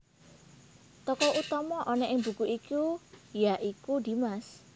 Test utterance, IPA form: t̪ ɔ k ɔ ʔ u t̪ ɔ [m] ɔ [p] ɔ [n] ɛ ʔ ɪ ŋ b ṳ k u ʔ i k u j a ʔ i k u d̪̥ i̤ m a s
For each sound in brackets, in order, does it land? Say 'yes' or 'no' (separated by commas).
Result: yes, no, yes